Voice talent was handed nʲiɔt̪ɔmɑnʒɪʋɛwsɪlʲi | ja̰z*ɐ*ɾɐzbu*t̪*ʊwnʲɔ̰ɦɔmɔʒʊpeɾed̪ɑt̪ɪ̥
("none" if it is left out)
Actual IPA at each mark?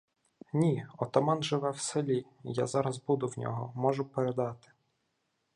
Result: ɑ, d̪

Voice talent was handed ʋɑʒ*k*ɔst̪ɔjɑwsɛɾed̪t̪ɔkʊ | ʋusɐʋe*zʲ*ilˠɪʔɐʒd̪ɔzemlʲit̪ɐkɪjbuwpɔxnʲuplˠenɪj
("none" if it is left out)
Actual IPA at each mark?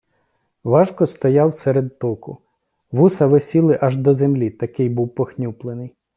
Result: k, sʲ

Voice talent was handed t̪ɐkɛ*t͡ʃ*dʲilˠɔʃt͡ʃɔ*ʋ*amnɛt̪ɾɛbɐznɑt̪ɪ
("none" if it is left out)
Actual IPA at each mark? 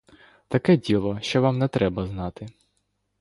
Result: none, ʋ

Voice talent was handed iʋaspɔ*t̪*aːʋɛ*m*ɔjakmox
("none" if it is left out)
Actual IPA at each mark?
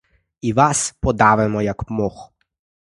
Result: d̪, m

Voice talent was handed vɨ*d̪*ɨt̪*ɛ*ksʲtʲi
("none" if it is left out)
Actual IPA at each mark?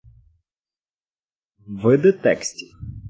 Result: d̪, ɛ

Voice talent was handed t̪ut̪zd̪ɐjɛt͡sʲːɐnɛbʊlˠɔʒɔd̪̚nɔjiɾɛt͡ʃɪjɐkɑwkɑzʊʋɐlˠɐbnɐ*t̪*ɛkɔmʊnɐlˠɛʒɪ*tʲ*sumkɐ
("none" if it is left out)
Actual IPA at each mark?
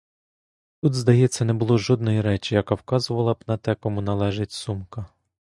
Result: t̪, tʲ

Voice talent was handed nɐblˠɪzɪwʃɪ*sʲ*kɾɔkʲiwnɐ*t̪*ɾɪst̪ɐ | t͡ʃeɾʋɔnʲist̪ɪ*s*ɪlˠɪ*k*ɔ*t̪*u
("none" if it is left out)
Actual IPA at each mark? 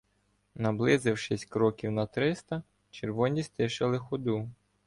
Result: sʲ, t̪, ʃ, x, d̪

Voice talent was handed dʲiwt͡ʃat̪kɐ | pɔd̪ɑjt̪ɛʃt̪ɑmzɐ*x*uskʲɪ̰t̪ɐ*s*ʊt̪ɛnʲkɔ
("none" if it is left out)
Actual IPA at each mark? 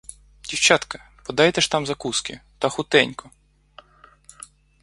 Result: k, x

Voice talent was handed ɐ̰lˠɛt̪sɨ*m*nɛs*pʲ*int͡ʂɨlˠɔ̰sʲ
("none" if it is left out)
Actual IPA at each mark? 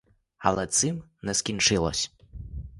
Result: m, kʲ

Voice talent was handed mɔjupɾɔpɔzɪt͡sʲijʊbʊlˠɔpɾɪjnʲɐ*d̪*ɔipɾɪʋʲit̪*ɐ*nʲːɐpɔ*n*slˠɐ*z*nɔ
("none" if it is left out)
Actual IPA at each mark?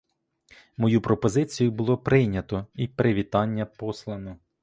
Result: t̪, ɑ, none, none

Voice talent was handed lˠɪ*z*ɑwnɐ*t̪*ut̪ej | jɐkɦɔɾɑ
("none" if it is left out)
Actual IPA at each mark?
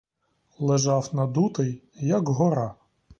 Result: ʒ, d̪

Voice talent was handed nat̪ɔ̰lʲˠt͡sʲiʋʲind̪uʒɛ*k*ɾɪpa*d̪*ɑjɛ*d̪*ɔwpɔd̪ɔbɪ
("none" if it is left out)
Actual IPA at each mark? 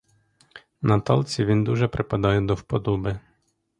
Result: p, d̪, d̪

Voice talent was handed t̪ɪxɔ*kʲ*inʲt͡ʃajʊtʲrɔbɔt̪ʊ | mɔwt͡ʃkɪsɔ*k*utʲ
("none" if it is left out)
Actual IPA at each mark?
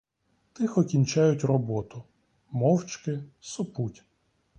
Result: kʲ, p

